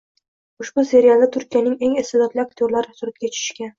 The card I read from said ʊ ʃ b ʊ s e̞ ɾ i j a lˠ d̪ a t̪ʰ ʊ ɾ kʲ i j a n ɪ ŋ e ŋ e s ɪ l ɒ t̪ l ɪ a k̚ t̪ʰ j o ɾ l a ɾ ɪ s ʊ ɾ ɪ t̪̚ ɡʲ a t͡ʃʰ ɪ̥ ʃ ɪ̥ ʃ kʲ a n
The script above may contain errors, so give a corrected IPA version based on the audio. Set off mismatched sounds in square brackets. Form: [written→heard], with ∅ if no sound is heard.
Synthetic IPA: ʊ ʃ b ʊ s e̞ ɾ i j a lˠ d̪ a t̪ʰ ʊ ɾ kʲ i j a n ɪ ŋ e ŋ e s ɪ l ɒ t̪ l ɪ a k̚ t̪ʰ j o ɾ l a ɾ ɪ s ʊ ɾ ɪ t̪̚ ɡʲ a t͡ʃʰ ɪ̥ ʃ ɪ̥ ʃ kʲ a n